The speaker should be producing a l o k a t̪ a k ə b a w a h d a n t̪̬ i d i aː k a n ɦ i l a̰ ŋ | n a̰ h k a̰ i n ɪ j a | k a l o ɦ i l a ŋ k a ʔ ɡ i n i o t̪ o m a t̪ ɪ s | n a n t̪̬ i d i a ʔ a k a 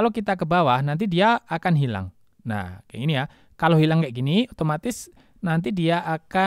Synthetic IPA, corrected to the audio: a l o k i t̪ a k ə b a w a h n a n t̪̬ i d i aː k a n ɦ i l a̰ ŋ | n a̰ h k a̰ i n i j a | k a l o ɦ i l a ŋ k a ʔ ɡ i n i o t̪ o m a t̪ ɪ s | n a n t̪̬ i d i a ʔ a k a